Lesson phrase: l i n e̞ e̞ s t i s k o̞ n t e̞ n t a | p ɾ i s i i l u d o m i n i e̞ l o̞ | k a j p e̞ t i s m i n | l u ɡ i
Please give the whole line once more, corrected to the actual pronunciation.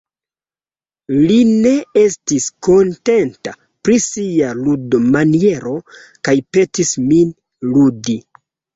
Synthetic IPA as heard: l i n e̞ e̞ s t i s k o̞ n t e̞ n t a | p ɾ i s i a l u d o m a n i e̞ ɾ o̞ | k a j p e̞ t i s m i n | l u d i